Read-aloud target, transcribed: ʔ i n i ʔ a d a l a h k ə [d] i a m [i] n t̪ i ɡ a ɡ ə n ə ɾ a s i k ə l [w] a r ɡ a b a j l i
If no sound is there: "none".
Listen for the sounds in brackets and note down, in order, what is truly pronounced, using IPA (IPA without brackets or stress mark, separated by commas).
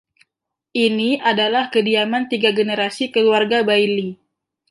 d, a, u